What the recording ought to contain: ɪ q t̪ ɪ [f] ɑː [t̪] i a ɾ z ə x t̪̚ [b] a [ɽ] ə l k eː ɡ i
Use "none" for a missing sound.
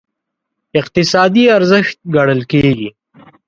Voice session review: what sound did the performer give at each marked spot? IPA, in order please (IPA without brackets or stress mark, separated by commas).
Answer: s, d̪, ɡ, ɽ